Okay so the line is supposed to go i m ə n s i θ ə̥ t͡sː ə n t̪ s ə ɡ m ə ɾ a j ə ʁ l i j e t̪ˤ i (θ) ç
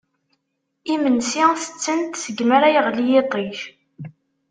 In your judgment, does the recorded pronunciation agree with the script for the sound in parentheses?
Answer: no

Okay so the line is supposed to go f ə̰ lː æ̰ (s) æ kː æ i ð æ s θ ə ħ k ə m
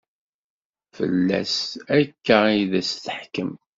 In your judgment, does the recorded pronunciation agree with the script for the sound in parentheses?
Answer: yes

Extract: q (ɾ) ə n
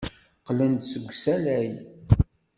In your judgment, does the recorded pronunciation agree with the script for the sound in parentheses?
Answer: no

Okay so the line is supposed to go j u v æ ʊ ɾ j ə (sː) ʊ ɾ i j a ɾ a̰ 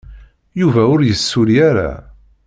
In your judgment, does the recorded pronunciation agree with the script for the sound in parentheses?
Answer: yes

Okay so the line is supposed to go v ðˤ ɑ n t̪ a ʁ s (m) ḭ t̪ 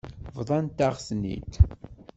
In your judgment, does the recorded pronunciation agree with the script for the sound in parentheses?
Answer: no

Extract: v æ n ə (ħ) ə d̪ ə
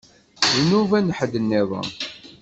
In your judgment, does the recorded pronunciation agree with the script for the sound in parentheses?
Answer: yes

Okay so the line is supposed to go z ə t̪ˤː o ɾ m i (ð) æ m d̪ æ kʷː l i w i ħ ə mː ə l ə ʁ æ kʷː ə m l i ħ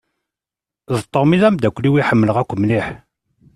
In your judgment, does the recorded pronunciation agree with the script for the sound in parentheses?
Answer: yes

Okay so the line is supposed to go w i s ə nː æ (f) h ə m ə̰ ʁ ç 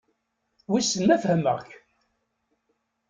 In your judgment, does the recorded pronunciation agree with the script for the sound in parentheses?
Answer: yes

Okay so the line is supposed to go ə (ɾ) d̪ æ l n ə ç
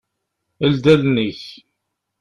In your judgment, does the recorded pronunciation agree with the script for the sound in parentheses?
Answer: no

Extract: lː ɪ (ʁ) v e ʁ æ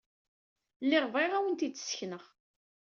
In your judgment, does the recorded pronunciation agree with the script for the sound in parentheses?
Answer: yes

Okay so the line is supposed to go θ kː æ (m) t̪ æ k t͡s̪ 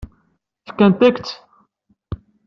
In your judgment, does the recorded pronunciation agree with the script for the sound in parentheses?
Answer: no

